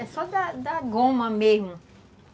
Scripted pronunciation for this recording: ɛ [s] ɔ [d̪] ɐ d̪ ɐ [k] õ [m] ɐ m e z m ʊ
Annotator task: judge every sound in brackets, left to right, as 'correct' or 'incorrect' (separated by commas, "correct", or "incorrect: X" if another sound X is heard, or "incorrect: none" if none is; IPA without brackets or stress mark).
correct, correct, incorrect: ɡ, correct